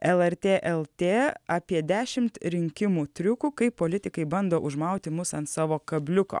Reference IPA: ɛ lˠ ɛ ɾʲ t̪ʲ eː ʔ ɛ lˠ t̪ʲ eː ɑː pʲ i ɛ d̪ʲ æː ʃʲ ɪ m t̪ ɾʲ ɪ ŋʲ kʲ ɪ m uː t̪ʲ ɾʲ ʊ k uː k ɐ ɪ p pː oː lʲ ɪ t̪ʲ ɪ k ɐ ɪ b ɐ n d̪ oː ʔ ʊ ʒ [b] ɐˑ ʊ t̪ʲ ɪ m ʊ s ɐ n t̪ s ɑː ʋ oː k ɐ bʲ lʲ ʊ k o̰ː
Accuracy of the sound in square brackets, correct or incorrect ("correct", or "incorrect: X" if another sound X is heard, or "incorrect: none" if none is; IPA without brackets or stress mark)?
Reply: incorrect: m